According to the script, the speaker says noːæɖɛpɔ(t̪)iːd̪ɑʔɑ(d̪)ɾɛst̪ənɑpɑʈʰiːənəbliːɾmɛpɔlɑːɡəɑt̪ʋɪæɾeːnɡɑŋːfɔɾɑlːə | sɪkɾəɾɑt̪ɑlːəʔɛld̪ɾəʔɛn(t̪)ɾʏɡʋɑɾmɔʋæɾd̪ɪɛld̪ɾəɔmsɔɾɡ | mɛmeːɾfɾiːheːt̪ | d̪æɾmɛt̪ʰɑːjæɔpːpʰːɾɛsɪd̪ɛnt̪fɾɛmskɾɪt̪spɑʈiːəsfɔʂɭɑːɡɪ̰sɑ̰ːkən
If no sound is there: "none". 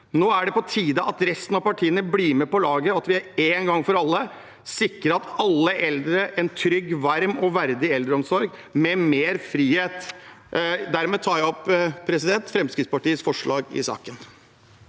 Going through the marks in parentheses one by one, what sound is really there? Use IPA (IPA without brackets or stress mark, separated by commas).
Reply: t̪ʰ, t̪, t̪ʰ